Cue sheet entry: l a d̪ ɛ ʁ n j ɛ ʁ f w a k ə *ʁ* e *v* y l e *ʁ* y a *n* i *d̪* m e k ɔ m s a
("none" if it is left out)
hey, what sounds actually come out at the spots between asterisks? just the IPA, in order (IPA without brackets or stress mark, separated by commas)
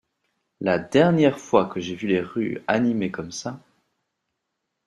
ʒ, v, ʁ, n, none